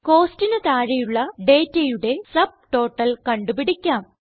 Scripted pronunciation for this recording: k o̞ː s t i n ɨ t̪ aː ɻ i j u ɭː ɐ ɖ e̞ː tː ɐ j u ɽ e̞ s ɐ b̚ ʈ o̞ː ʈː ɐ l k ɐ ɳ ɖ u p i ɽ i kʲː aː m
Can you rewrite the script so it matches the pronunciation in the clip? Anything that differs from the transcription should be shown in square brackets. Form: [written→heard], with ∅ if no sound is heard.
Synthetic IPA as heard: k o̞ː s t i n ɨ t̪ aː ɻ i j u ɭː ɐ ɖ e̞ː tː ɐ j u ɽ e̞ s ɐ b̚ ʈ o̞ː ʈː ɐ l k ɐ ɳ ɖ u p i ɽ i kʲː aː m